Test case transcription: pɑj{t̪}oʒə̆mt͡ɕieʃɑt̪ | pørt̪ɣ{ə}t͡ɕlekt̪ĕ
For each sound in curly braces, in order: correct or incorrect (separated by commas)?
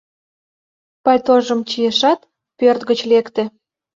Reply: correct, correct